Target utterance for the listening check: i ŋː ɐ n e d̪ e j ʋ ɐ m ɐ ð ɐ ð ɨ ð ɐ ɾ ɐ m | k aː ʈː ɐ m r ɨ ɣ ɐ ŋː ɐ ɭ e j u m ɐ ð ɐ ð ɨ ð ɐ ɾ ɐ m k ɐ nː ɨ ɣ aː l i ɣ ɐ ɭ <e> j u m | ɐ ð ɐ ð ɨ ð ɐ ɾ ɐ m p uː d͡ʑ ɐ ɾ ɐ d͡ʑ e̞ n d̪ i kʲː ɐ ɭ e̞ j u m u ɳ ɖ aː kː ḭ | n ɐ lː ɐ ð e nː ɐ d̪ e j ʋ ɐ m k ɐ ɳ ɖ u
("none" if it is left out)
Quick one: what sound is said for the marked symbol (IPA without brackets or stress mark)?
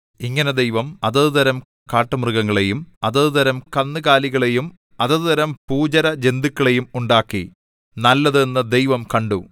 e